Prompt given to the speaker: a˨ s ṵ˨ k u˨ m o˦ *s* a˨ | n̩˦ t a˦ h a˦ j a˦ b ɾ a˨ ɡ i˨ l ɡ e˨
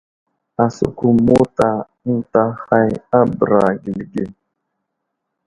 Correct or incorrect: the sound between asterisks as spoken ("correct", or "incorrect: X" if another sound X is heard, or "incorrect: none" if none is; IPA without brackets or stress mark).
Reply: incorrect: t